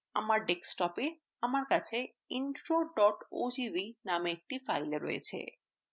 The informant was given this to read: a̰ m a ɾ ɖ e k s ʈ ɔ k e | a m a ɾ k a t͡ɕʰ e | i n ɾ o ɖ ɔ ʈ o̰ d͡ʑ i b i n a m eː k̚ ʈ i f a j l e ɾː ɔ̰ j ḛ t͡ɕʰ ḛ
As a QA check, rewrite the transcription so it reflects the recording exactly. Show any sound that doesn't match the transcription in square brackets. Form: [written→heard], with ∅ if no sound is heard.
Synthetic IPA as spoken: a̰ m a ɾ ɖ e k s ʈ ɔ [k→p] e | a m a ɾ k a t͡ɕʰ e | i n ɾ o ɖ ɔ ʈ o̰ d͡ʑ i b i n a m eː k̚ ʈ i f a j l e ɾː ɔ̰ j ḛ t͡ɕʰ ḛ